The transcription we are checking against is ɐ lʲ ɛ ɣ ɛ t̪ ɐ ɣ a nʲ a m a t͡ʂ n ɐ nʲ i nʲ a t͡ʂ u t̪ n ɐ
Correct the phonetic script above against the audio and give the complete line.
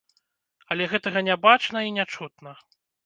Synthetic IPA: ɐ lʲ ɛ ɣ ɛ t̪ ɐ ɣ ɐ nʲ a b a t͡ʂ n ɐ i nʲ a t͡ʂ u t̪ n ɐ